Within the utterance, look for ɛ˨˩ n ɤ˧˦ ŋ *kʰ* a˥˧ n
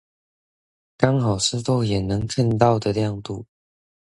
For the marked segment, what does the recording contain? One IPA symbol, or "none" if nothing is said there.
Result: kʰ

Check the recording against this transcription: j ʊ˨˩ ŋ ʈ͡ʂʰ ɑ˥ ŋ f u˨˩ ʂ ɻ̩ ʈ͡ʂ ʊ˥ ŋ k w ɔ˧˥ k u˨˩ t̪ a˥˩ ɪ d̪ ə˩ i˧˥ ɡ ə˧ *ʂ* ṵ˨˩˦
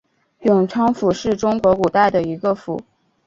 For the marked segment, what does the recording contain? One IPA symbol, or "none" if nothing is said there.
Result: f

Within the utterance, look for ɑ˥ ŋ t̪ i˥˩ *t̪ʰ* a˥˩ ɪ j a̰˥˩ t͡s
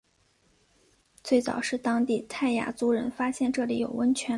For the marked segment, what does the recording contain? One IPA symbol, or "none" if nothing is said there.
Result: t̪ʰ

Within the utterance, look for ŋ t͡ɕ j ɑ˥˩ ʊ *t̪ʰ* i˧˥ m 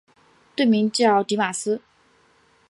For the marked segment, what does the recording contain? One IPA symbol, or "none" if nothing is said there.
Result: t̪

